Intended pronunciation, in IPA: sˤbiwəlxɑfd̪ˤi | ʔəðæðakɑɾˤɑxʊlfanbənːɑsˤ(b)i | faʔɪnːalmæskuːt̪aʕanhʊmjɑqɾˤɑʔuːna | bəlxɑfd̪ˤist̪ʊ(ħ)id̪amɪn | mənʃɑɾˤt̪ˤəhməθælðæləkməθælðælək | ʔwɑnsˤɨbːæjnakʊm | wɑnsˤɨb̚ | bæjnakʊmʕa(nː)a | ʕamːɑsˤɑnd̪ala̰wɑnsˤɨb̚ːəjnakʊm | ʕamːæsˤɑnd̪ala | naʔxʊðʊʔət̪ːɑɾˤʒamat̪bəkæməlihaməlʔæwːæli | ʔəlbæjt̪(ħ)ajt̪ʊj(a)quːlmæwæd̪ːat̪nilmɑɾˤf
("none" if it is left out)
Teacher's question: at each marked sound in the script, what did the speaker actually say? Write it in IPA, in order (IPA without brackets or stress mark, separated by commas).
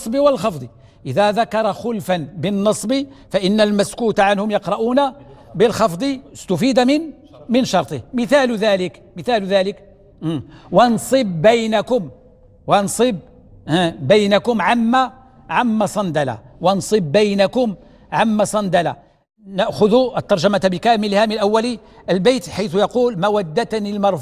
b, f, mː, ħ, ɑ